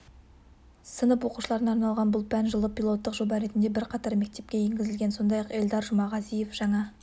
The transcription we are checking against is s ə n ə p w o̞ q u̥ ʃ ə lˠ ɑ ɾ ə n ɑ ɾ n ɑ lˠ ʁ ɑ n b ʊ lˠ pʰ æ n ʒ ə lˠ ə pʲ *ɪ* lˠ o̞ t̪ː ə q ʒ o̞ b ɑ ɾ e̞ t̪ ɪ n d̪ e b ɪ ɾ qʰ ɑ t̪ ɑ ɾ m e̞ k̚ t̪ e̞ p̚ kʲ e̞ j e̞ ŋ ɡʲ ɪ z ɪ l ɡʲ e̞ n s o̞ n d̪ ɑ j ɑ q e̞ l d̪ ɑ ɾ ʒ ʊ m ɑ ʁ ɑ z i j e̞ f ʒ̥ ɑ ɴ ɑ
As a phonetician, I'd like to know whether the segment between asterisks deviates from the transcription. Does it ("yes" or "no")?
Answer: yes